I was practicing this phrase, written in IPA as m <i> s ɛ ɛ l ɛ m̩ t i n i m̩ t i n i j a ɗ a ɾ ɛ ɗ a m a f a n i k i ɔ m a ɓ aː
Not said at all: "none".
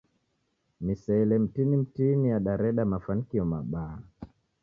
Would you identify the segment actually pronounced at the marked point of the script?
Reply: i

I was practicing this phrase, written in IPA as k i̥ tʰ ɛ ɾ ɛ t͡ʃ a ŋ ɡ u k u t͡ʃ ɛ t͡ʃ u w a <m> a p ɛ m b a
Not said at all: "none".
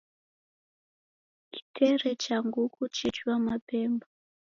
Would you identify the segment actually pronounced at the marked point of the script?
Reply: m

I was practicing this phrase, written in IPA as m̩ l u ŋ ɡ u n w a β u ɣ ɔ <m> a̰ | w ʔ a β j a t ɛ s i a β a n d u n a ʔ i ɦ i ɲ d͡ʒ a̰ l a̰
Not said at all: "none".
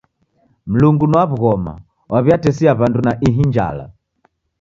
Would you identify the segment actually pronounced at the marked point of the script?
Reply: m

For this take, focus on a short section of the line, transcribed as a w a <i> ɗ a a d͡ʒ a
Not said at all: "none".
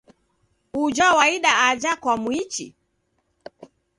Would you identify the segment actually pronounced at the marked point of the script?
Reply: i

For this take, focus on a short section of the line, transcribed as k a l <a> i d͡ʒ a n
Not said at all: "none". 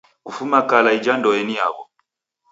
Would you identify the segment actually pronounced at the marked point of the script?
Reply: a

